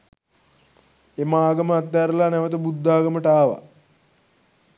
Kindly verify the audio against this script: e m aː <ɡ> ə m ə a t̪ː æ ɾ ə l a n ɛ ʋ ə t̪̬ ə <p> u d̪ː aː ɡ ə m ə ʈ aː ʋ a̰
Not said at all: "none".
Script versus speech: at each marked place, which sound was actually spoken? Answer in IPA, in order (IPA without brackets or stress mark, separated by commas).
ɡ, b